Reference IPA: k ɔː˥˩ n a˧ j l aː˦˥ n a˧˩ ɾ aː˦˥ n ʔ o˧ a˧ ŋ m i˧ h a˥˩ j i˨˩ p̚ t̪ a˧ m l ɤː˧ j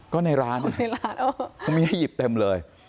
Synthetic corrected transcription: k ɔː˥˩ n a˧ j ɾ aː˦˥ n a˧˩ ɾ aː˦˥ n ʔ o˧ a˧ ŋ m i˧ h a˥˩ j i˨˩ p̚ t̪ e˧ m l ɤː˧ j

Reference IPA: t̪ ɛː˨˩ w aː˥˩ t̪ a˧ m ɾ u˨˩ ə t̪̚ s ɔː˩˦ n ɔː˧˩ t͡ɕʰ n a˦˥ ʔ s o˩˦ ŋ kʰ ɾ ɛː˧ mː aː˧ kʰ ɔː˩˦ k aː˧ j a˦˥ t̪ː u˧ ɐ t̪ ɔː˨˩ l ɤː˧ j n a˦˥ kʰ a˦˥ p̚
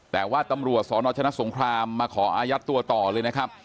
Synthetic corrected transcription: t̪ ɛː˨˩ w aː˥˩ t̪ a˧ m ɾ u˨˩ ə t̪̚ s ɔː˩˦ n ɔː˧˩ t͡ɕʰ n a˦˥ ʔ s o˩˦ ŋ kʰ ɾ aː˧ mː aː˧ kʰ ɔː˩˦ ʔ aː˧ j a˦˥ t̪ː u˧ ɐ t̪ ɔː˨˩ l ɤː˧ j n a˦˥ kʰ a˦˥ p̚

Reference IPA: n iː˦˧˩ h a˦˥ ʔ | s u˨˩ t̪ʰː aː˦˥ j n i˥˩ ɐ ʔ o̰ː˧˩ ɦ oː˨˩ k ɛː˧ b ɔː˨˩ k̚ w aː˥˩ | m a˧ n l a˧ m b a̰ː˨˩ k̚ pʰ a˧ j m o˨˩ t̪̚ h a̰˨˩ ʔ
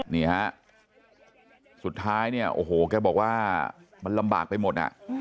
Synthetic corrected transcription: n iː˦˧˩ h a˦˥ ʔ | s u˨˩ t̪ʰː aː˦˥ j n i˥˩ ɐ ʔ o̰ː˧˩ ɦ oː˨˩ k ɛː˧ b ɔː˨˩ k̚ w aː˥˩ | m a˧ n l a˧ m b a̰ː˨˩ k̚ p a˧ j m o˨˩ t̪̚ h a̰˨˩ ʔ

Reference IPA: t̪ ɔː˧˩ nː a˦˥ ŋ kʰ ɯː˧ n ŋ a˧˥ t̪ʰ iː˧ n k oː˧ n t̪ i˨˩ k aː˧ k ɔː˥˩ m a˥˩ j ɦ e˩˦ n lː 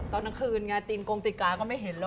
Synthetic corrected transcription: t̪ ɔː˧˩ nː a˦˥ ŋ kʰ ɯː˧ n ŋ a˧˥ t̪ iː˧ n k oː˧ ŋ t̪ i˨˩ k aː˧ k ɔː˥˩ m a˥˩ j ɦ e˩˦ n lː

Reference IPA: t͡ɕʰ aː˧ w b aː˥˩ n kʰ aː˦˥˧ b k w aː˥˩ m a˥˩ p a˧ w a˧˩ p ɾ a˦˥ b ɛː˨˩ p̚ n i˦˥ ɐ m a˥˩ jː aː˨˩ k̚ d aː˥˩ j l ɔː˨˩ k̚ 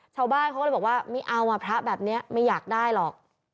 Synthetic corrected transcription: t͡ɕʰ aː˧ w b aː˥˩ n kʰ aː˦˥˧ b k w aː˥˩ m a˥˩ ʔ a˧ w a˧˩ pʰ ɾ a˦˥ b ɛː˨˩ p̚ n i˦˥ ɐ m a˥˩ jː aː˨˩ k̚ d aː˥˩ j l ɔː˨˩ k̚

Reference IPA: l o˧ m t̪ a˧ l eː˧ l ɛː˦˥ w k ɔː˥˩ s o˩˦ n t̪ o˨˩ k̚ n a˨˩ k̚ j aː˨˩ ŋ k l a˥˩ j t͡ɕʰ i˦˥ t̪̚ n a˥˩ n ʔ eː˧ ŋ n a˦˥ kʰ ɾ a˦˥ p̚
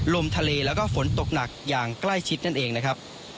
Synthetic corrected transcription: l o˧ m t̪ʰ a˧ l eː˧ l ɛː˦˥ w k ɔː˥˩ f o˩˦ n t̪ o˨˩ k̚ n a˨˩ k̚ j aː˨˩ ŋ k l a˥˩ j t͡ɕʰ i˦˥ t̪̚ n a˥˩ n ʔ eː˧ ŋ n a˦˥ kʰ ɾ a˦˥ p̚

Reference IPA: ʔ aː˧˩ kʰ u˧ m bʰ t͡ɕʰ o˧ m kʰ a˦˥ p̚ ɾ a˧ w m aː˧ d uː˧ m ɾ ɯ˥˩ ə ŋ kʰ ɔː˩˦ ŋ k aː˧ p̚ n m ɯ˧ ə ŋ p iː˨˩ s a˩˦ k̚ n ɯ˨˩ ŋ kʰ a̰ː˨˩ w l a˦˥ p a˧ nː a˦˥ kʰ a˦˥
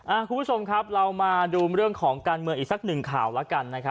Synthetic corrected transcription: ʔ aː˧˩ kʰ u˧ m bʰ t͡ɕʰ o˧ m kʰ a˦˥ p̚ ɾ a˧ w m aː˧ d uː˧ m ɾ ɯ˥˩ ə ŋ kʰ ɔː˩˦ ŋ k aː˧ n m ɯ˧ ə ŋ ʔ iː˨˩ s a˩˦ k̚ n ɯ˨˩ ŋ kʰ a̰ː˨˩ w l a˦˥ k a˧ nː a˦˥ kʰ a˦˥

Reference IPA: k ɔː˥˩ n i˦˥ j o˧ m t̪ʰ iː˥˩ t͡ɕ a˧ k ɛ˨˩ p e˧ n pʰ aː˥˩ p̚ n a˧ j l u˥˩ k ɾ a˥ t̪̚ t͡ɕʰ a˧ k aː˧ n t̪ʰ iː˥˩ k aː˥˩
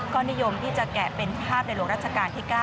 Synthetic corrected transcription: k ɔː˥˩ n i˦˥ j o˧ m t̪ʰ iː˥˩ t͡ɕ a˨˩ k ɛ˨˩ p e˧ n pʰ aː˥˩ p̚ n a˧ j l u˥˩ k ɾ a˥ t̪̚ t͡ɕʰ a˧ k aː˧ n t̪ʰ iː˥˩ k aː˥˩

